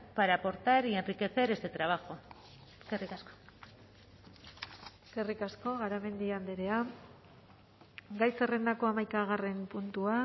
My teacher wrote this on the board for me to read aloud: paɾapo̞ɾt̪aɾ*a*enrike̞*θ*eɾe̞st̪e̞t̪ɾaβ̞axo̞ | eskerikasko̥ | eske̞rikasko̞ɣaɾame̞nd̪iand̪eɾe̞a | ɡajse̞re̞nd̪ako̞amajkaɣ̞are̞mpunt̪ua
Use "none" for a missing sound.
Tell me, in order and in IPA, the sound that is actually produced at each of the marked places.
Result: i, θ

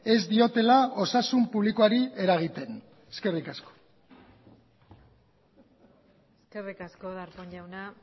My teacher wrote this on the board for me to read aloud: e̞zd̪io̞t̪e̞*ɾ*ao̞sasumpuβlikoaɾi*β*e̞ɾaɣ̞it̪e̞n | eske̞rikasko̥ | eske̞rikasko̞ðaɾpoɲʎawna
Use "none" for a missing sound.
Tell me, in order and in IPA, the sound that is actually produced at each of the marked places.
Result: l, none

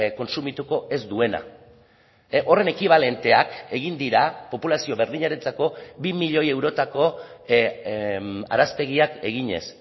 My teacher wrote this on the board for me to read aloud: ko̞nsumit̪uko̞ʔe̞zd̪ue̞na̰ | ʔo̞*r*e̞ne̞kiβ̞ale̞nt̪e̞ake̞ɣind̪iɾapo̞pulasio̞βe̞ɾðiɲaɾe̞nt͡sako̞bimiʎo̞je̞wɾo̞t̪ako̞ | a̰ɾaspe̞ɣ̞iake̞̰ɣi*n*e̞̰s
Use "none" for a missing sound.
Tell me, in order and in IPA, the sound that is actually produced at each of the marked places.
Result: r, ɲ

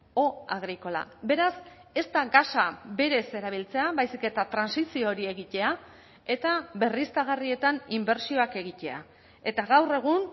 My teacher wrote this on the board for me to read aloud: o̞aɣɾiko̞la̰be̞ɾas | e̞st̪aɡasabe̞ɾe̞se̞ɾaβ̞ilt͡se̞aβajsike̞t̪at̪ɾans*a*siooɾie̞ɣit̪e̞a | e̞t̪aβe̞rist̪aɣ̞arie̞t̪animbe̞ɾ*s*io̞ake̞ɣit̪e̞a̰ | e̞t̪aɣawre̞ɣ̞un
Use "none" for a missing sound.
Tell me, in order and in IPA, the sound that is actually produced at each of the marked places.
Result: i, s

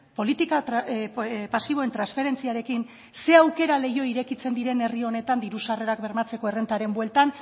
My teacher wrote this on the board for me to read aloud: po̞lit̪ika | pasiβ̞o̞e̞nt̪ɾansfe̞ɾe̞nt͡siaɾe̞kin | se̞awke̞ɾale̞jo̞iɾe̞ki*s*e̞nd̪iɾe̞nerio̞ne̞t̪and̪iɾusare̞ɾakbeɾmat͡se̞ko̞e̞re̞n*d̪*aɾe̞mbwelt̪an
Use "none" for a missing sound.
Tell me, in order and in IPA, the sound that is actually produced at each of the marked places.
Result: t͡s, t̪

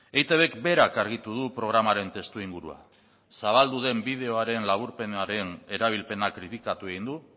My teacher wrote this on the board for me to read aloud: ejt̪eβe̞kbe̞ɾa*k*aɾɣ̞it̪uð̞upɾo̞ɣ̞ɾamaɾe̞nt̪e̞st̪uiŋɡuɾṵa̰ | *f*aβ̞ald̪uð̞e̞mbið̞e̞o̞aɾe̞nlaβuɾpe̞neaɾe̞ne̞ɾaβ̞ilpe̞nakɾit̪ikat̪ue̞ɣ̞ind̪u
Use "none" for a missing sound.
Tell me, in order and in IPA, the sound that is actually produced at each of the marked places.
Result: k, s

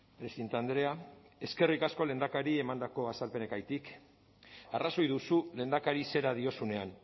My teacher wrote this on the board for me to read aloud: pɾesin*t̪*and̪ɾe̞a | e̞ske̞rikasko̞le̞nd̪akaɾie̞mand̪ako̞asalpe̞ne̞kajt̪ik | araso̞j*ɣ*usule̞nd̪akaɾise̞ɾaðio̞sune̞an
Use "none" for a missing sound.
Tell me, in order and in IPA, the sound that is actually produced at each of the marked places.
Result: t̪, ð

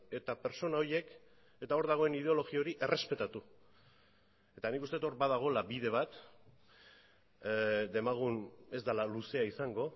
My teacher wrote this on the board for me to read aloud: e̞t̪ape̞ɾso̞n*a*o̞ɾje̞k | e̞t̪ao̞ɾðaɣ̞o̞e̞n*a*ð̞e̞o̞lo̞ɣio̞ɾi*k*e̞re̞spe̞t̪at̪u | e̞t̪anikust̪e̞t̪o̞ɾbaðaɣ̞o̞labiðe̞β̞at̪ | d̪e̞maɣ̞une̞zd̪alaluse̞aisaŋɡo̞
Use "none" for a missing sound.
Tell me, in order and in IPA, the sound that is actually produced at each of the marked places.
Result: a, i, ʔ

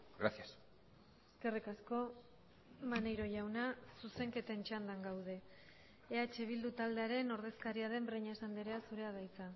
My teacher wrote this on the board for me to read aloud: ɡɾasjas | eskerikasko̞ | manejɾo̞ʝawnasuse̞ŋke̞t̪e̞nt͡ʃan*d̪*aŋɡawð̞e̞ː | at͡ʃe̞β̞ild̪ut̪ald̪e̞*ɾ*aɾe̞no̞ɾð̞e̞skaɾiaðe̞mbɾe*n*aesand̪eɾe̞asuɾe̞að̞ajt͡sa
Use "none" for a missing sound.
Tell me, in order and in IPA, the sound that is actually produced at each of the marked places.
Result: d̪, none, ɲ

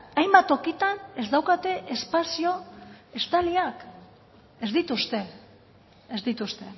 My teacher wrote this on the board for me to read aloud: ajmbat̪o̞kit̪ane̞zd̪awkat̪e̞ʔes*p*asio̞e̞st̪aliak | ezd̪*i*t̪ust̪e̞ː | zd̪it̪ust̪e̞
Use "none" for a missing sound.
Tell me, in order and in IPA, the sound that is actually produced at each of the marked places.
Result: p, i

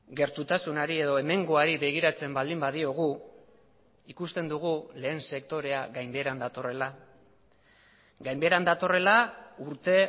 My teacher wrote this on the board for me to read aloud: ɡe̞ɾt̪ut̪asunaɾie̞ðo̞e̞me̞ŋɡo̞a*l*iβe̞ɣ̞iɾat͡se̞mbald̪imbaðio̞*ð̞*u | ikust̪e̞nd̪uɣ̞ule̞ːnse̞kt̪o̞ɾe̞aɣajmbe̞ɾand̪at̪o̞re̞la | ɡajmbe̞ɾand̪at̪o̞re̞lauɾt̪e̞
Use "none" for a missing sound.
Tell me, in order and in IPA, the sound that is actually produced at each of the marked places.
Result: ɾ, ɣ̞

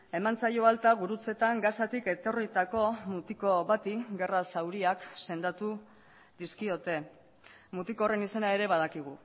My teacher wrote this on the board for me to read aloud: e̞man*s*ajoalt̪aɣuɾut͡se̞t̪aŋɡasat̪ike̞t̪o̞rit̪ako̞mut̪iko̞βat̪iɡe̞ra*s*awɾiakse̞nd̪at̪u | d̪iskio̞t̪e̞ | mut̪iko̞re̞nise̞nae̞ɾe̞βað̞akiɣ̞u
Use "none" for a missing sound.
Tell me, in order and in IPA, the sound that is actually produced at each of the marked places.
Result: t͡s, s

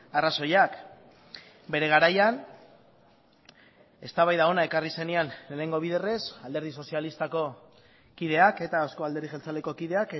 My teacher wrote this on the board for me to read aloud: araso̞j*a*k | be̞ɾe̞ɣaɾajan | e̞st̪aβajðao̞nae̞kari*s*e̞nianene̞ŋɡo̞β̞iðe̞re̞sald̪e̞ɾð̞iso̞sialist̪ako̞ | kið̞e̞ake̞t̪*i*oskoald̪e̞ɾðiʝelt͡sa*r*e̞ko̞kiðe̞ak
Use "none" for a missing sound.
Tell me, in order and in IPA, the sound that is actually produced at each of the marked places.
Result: a, s, a, l

